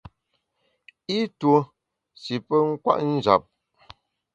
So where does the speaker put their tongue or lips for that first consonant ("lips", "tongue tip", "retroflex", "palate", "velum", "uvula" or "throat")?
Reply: tongue tip